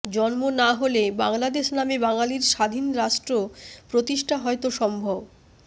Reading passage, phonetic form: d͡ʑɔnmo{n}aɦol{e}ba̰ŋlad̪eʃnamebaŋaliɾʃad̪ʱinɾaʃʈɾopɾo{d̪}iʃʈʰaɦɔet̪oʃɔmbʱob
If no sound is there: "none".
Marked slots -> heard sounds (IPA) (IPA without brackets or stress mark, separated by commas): n, e, t̪